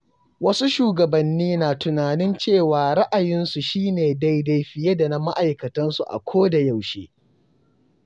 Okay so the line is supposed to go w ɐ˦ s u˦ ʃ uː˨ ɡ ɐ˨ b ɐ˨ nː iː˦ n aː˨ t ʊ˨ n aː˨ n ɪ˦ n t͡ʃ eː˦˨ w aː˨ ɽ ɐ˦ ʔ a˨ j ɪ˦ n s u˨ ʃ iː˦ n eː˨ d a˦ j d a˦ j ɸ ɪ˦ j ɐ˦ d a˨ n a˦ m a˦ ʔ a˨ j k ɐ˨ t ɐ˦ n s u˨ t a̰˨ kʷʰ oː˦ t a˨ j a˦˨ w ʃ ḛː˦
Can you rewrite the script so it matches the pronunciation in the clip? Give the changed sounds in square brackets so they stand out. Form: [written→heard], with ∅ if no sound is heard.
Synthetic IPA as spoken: w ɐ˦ s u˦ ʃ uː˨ ɡ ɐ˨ b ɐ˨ nː iː˦ n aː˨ t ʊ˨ n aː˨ n ɪ˦ n t͡ʃ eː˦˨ w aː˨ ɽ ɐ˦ ʔ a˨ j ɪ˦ n s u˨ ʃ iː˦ n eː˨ d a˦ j d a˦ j ɸ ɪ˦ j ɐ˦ d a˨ n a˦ m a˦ ʔ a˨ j k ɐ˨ t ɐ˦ n s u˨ [t→ʔ] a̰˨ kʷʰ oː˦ [t→d] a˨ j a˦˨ w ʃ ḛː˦